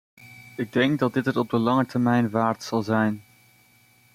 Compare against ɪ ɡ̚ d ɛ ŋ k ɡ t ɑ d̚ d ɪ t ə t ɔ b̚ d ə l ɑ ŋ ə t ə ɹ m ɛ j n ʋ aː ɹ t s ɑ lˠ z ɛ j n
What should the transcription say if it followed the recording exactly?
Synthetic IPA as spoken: ɪ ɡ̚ d ɛ ŋ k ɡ d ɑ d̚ d ɪ t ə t ɔ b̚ d ə l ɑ ŋ ə t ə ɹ m ɛ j n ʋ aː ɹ t s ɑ lˠ z ɛ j n